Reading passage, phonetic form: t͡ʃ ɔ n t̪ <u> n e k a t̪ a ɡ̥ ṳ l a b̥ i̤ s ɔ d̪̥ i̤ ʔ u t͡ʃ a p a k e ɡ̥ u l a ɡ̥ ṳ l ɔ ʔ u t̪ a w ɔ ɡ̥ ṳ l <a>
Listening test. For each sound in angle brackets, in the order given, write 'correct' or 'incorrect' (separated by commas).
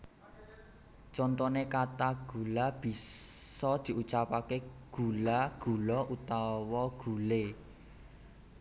incorrect, incorrect